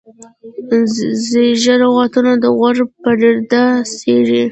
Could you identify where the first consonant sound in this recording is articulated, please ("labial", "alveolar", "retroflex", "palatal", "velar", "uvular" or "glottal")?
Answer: alveolar